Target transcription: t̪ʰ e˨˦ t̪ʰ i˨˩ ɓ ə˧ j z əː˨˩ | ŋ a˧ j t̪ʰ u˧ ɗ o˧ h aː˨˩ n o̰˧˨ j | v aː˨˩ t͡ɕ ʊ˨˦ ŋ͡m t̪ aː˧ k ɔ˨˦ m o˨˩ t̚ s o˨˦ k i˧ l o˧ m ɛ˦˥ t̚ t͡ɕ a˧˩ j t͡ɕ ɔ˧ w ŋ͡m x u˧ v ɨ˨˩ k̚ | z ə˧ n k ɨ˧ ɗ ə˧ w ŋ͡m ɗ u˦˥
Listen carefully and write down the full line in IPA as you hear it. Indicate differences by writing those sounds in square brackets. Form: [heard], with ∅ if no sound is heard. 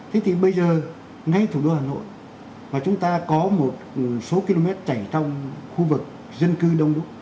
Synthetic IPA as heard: t̪ʰ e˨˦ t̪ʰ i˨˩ ɓ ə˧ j z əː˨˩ | ŋ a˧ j t̪ʰ [u˧˩] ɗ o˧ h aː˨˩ n o̰˧˨ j | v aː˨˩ t͡ɕ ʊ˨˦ ŋ͡m t̪ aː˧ k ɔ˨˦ m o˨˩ t̚ s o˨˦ k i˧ l o˧ m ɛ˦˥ t̚ t͡ɕ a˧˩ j t͡ɕ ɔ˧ w ŋ͡m x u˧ v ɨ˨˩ k̚ | z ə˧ n k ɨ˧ ɗ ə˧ w ŋ͡m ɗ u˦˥